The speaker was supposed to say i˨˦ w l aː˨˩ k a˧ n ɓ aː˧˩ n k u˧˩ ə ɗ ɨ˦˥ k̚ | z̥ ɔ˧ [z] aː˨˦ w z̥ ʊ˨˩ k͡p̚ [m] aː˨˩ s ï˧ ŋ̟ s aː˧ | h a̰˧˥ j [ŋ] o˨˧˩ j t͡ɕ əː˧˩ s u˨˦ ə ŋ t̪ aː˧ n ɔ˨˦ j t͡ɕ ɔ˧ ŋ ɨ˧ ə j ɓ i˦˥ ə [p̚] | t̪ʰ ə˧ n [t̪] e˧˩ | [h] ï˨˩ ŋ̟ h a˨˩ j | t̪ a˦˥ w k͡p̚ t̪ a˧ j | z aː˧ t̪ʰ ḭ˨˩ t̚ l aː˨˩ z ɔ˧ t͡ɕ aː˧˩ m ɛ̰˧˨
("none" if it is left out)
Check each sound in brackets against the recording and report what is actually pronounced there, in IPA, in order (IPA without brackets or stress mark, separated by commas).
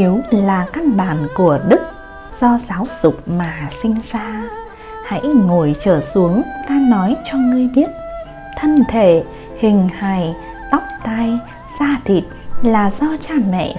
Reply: z, m, ŋ, t̚, t̪ʰ, h